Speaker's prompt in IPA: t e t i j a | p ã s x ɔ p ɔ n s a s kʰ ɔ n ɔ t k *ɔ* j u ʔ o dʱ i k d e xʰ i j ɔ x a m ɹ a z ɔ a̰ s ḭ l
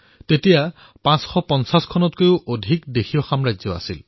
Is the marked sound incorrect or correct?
incorrect: o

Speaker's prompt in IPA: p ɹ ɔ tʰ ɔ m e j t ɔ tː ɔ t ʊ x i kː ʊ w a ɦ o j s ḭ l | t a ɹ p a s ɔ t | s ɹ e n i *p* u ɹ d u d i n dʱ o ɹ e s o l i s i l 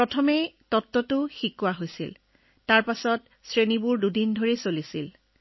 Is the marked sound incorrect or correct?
incorrect: b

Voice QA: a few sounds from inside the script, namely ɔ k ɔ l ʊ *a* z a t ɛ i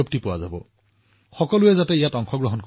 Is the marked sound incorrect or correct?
incorrect: ɛ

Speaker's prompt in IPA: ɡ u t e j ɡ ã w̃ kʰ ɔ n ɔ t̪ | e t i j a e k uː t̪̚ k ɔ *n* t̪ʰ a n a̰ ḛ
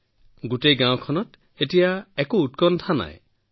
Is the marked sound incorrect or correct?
correct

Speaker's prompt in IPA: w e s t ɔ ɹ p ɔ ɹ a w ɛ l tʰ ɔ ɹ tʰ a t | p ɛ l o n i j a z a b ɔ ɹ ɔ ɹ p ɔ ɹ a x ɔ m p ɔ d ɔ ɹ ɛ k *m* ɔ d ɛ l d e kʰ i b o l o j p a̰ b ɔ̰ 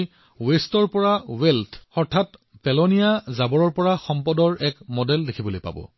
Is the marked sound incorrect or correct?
correct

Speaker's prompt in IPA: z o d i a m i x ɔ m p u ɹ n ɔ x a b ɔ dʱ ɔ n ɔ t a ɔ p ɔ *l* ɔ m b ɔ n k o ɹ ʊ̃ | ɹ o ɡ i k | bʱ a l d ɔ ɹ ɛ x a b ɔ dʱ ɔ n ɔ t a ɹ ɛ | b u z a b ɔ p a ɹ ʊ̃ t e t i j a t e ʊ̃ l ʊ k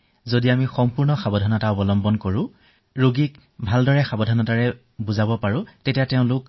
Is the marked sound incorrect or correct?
correct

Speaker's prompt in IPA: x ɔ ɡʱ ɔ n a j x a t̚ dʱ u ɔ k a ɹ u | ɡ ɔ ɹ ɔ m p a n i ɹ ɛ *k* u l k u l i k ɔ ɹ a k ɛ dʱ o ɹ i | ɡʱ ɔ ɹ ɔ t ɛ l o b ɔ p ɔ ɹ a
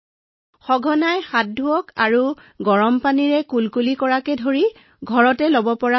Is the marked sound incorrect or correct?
correct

